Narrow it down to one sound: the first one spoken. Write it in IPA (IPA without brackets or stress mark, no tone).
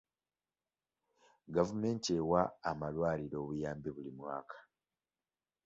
ɡ